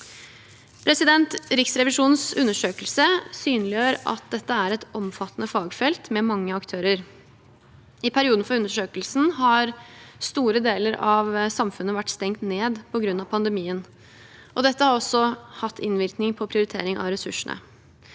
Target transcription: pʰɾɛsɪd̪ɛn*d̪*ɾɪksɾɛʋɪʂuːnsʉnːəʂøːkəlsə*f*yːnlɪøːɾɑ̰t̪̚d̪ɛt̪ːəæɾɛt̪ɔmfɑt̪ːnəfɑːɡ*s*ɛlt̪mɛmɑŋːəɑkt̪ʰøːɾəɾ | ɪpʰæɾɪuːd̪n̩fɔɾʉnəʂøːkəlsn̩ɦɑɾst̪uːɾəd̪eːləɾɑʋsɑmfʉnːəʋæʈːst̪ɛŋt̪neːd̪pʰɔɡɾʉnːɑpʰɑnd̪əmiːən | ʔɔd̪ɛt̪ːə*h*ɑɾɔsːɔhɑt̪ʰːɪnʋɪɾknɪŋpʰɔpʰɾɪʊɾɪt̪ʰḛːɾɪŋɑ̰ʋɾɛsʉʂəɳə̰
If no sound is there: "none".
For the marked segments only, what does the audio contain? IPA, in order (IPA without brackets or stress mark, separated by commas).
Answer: t̪, s, f, h